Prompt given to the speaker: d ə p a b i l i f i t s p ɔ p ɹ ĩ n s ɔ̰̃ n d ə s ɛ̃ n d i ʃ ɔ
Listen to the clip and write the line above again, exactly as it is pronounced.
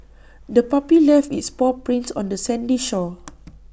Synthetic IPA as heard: d ə p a p i l ɛ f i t s p ɔ p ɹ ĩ n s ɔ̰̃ n d ə s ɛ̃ n d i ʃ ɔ